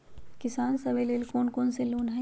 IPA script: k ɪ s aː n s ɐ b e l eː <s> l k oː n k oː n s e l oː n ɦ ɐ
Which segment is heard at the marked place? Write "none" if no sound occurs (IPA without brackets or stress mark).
none